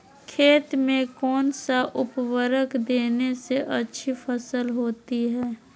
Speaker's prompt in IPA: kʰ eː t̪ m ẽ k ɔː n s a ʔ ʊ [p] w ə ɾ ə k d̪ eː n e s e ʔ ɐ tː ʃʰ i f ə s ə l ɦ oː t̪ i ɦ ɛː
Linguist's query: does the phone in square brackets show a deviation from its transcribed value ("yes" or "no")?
no